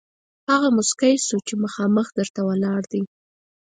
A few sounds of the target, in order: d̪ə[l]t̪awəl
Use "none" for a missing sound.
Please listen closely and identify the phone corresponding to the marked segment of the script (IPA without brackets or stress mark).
ɾ